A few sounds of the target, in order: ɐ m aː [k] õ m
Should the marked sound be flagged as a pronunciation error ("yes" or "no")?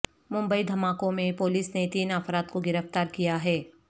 no